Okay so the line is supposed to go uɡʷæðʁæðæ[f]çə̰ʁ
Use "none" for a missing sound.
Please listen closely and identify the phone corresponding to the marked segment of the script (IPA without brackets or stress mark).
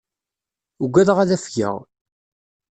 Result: f